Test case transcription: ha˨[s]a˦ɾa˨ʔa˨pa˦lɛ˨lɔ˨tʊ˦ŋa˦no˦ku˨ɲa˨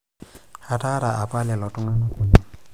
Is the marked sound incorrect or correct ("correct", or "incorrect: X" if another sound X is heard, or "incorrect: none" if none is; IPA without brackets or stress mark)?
incorrect: t